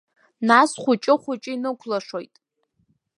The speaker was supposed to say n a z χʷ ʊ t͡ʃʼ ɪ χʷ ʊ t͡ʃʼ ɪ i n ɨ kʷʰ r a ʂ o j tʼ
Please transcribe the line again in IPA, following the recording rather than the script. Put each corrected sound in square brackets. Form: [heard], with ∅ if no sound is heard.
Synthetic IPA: n a [s] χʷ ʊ t͡ʃʼ ɪ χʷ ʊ t͡ʃʼ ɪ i n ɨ kʷʰ [l] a ʂ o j tʼ